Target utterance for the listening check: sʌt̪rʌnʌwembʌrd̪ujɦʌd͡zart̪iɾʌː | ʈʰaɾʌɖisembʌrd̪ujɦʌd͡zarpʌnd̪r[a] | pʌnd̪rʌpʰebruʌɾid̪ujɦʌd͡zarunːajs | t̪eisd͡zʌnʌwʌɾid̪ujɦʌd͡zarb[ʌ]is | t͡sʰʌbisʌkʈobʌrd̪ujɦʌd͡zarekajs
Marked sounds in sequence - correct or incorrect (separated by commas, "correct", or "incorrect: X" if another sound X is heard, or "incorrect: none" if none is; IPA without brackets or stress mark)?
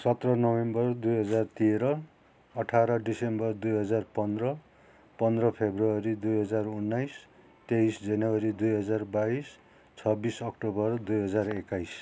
incorrect: ʌ, incorrect: a